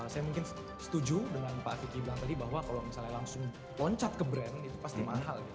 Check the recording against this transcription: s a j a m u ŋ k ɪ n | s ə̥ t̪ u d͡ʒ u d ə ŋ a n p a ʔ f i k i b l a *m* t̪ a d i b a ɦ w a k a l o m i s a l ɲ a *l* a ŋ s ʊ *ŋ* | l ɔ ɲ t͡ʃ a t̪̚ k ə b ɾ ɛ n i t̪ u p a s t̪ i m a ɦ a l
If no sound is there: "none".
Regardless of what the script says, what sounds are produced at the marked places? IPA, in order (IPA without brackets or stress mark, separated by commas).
ŋ, l, ŋ